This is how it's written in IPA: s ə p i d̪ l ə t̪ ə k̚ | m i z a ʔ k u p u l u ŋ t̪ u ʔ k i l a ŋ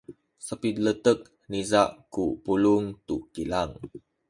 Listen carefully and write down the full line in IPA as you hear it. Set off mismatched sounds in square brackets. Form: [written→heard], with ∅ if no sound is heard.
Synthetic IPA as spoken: s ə p i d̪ l ə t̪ ə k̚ | [m→n] i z a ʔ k u p u l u ŋ t̪ u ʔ k i l a ŋ